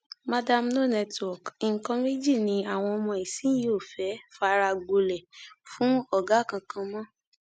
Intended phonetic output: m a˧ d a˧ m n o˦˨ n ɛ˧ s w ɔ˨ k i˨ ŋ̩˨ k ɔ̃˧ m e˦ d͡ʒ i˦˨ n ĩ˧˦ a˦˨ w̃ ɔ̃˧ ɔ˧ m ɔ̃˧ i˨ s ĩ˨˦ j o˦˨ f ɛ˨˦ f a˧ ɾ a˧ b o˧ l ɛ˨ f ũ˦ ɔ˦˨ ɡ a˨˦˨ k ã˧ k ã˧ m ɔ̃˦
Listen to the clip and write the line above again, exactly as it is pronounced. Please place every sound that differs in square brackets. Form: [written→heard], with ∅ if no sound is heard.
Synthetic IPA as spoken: m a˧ d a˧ m n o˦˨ n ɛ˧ [s→t] w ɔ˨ k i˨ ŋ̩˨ k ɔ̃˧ m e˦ d͡ʒ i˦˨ n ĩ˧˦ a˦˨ w̃ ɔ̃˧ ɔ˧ m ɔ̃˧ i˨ s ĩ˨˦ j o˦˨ f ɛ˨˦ f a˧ ɾ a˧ [b→ɡ͡b] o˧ l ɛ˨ f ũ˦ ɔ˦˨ ɡ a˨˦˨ k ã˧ k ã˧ m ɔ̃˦